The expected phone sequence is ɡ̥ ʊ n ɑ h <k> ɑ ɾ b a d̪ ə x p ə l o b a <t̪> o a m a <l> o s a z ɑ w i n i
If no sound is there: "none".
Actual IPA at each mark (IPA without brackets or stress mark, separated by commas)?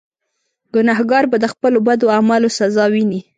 ɡ, d̪, l